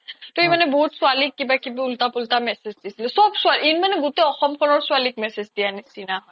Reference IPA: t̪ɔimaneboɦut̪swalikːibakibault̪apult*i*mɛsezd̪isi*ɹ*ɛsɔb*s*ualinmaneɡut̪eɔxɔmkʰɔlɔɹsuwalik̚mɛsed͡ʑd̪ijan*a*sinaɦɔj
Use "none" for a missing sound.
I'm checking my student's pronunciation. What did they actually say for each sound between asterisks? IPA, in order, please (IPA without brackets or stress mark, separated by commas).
a, l, s, i